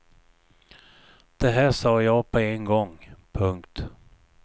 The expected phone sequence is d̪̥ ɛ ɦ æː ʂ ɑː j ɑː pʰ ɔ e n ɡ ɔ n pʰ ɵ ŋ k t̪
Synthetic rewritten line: d̪̥ ɛ ɦ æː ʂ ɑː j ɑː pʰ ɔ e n ɡ ɔ ŋ pʰ ɵ ŋ k t̪

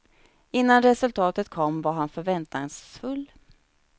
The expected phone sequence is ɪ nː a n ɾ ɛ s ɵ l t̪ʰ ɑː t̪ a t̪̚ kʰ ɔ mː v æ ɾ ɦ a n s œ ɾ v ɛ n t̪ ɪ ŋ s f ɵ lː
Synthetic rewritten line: ɪ nː a n ɾ ɛ s ɵ l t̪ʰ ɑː t̪ ə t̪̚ kʰ ɔ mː v a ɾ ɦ a n f œ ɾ v ɛ n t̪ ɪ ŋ s f ɵ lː

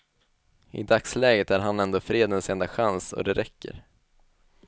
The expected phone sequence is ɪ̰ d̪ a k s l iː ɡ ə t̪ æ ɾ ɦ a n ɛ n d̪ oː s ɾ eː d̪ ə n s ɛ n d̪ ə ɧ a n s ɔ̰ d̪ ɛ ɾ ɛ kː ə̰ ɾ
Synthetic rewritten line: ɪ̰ d̪ a k s l ɛː ɡ ə t̪ æ ɾ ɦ a n ɛ n d̪ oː f ɾ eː d̪ ə n s ɛ n d̪ a ɧ a n s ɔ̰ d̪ ɛ ɾ ɛ kː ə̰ ɾ

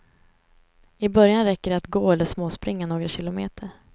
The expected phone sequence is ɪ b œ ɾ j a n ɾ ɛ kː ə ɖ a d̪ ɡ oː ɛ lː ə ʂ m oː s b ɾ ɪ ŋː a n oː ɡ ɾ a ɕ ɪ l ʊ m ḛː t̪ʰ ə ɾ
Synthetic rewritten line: ɪ b œ ɾ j a n ɾ ɛ kː ə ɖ a t̪ ɡ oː ɛ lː ə ʂ m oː s p ɾ ɪ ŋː a n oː ɡ ɾ a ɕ ɪ l ʊ m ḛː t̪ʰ ə ɾ

